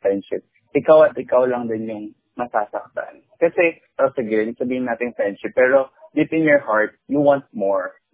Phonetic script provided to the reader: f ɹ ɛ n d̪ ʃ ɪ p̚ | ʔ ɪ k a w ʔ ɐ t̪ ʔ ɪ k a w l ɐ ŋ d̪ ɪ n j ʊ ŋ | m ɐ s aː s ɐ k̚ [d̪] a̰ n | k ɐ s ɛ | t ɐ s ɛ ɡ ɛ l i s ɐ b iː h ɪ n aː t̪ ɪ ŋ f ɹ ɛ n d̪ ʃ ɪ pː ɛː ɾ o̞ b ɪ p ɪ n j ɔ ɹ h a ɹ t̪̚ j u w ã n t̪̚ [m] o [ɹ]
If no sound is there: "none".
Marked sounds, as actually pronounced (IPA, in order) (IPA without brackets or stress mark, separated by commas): t̪, m, ɹ